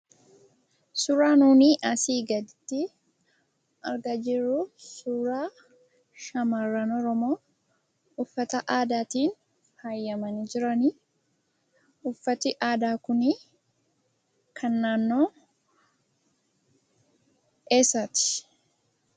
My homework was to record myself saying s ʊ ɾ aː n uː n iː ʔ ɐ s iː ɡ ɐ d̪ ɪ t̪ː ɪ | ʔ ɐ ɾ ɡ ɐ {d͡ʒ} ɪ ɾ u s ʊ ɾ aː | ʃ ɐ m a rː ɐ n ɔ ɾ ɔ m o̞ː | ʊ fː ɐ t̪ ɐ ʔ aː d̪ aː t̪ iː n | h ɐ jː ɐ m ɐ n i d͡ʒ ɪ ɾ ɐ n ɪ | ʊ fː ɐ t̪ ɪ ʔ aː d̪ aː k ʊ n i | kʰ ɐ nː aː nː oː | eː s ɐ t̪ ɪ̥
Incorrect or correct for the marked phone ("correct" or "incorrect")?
correct